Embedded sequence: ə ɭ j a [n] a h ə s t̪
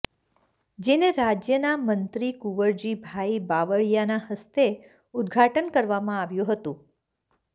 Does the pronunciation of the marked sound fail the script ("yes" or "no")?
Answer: no